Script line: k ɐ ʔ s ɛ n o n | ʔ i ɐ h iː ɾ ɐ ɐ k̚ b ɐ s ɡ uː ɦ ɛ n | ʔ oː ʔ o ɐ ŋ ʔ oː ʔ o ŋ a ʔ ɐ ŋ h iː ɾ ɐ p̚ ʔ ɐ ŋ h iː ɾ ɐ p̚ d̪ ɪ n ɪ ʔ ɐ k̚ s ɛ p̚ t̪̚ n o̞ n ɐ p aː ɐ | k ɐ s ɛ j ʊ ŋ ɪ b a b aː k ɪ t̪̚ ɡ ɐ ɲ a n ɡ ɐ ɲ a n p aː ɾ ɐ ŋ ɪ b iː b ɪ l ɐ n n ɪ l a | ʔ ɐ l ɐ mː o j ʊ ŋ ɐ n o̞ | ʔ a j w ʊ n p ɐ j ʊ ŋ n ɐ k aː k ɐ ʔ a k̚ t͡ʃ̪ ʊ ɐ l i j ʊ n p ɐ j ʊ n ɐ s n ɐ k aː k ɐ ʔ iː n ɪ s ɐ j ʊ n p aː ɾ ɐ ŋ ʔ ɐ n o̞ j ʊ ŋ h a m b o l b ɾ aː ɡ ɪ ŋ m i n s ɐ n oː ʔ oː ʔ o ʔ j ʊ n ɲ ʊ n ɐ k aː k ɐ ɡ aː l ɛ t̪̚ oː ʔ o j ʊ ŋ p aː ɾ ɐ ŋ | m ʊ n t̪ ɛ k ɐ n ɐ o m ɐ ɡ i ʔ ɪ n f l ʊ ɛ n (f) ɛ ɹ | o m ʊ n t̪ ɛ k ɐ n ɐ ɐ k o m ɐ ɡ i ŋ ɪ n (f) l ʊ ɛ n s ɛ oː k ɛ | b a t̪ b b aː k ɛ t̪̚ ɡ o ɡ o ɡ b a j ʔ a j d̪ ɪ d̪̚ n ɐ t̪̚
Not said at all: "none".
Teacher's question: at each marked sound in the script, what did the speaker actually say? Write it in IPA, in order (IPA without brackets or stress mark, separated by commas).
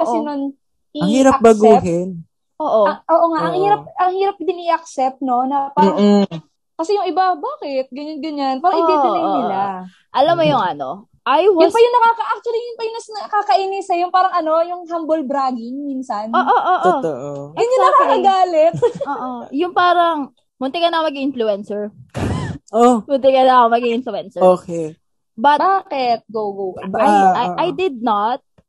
s, f